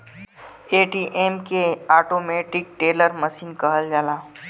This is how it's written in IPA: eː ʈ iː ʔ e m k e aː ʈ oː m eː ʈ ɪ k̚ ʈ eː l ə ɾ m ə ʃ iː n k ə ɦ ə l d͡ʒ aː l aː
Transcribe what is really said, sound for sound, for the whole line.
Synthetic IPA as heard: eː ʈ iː ʔ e m k e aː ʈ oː m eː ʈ ɪ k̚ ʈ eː l ə ɾ m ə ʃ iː n k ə ɦ ə l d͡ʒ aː l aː